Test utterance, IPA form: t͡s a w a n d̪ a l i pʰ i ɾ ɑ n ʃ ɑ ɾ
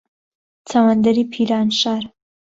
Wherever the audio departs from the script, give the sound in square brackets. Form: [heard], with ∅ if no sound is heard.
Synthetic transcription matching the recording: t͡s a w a n d̪ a [ɾ] i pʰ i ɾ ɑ n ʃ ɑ ɾ